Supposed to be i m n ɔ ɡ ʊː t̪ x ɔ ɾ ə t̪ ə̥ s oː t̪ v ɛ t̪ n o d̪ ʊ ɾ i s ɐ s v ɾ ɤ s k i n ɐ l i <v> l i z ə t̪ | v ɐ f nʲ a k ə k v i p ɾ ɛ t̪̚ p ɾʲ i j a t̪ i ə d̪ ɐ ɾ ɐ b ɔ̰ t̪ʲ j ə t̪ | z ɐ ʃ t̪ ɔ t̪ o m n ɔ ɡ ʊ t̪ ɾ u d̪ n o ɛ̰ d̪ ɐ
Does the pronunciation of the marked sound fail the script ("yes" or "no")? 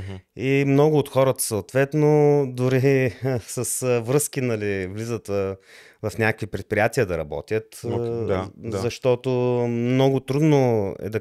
no